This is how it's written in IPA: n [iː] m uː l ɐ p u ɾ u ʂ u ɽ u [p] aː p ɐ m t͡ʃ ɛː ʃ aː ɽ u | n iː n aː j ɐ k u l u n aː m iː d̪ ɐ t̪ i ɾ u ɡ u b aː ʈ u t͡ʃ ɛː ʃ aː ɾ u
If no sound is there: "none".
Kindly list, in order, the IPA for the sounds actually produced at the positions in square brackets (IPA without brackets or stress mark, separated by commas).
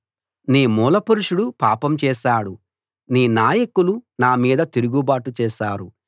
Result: iː, p